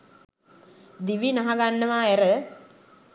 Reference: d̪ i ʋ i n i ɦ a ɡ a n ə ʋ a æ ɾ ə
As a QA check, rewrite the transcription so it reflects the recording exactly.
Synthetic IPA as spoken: d̪ i ʋ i n a ɦ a ɡ a nː ə ʋ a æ ɾ ə